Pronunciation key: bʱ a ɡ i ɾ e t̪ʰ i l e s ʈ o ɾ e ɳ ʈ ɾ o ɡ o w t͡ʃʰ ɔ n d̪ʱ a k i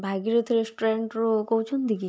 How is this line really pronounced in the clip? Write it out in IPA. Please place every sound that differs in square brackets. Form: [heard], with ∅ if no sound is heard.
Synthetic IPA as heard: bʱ a ɡ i ɾ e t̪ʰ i [ɾ] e s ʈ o ɾ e ɳ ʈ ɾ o [k] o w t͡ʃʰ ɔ n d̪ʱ [i] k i